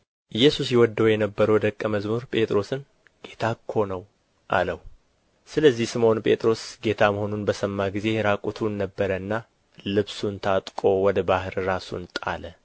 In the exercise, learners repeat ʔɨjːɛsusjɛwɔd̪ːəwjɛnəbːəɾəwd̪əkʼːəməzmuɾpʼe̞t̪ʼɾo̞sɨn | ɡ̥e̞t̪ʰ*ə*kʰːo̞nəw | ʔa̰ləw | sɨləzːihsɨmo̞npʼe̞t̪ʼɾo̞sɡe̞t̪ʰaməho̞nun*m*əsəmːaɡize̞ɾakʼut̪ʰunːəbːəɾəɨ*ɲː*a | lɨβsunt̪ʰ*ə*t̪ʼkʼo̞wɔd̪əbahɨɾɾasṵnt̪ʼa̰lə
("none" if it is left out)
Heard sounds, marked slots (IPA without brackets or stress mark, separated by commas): a, b, nː, a